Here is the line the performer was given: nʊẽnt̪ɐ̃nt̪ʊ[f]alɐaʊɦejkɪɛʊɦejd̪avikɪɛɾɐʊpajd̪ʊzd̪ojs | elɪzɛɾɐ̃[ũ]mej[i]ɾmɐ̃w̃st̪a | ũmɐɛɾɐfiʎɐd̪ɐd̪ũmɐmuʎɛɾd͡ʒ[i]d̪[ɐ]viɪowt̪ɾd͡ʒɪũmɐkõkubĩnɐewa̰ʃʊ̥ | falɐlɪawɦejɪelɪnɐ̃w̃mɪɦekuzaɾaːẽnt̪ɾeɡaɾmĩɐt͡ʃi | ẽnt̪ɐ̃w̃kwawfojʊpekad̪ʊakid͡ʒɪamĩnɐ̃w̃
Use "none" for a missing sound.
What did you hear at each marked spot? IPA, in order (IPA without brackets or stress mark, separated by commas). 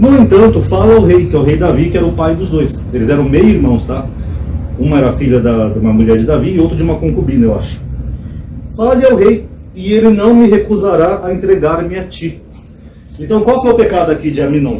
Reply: f, w̃, i, ɪ, a